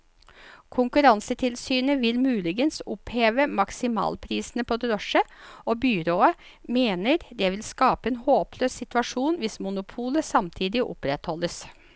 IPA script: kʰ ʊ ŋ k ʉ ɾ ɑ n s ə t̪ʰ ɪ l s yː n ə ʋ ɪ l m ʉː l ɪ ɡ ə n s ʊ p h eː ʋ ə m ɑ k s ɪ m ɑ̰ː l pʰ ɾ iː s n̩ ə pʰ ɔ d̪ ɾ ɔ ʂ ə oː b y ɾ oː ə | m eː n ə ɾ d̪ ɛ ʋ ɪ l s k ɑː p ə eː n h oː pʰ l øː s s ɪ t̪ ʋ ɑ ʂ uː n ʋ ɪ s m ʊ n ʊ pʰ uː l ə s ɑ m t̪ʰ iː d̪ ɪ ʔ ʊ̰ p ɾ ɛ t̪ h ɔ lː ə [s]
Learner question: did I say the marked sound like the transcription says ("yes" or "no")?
yes